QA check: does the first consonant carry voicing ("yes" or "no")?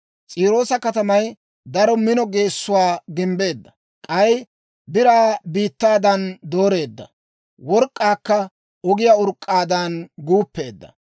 no